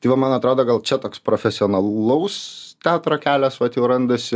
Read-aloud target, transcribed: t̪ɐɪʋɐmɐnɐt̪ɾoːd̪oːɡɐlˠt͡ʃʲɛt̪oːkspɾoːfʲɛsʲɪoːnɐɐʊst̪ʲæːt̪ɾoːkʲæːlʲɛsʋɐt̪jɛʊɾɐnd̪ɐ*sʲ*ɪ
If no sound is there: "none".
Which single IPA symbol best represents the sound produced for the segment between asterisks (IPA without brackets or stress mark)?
sʲ